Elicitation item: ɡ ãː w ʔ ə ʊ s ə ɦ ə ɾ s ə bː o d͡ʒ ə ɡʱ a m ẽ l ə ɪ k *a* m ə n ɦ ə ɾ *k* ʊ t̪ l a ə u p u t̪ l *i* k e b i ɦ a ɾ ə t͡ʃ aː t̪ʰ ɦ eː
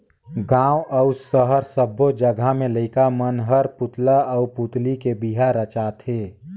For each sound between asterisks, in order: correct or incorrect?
correct, incorrect: p, correct

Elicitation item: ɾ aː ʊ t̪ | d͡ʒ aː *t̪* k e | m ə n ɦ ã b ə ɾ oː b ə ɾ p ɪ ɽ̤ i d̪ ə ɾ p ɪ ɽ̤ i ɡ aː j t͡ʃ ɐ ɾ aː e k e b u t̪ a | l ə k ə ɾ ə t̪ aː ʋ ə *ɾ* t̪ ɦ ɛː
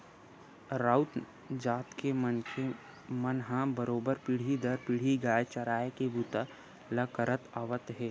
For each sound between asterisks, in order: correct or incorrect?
correct, incorrect: none

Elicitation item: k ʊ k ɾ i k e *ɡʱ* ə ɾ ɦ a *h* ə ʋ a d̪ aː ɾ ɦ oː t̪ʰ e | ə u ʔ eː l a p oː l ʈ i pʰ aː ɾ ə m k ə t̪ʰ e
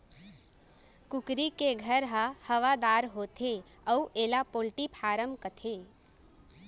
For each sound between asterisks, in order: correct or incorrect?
correct, correct

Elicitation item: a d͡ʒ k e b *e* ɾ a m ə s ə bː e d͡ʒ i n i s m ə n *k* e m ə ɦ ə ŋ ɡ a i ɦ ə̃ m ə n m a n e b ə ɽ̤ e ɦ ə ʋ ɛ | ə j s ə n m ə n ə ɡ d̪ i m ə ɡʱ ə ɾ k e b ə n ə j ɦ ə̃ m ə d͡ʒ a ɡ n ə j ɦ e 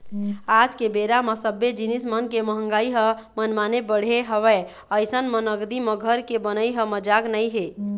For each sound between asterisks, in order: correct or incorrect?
correct, correct

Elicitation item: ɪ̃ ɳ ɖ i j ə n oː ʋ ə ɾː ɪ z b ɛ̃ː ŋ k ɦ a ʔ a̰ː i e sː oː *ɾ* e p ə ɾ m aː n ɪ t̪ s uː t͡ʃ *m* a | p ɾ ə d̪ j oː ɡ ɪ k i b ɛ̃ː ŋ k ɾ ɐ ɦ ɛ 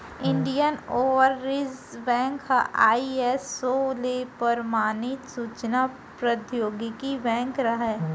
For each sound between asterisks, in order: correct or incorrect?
incorrect: l, incorrect: n

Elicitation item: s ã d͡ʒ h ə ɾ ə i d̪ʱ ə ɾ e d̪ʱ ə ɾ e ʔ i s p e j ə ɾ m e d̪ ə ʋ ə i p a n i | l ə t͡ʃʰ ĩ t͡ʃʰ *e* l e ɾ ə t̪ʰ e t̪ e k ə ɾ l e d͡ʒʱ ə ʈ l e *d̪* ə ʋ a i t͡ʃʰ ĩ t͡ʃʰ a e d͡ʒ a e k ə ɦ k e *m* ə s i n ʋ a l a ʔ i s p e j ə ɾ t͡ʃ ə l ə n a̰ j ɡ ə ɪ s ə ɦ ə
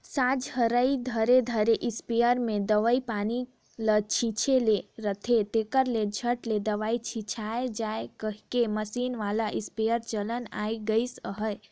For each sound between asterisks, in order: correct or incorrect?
correct, correct, correct

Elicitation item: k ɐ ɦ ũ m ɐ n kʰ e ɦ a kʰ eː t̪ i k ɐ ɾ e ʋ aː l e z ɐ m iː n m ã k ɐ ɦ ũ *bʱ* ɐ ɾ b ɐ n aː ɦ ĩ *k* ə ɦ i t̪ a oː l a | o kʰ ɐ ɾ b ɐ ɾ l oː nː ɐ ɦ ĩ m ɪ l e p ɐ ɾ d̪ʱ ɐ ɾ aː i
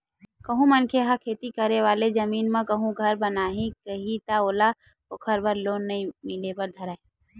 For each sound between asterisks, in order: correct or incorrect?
incorrect: ɡʱ, correct

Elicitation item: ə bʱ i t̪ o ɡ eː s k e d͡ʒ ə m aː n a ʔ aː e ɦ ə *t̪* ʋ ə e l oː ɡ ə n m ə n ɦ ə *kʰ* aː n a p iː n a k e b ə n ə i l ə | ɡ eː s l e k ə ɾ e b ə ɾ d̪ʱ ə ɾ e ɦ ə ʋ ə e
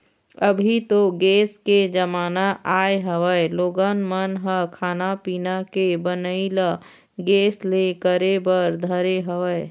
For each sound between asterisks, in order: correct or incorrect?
incorrect: none, correct

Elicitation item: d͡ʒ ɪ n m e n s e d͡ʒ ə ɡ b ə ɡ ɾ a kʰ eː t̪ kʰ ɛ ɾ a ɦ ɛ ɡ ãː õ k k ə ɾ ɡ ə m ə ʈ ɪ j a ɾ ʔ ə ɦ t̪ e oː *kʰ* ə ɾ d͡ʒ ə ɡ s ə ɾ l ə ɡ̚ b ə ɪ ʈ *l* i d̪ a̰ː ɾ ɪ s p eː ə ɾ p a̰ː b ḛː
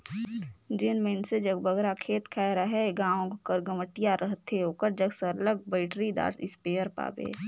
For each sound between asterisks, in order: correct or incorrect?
incorrect: k, incorrect: ɾ

